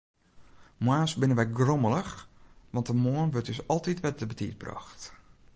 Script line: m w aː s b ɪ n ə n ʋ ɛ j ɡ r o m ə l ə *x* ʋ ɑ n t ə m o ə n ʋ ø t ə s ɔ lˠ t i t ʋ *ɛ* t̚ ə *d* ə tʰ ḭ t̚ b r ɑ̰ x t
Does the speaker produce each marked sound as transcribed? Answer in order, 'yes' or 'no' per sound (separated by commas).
yes, yes, no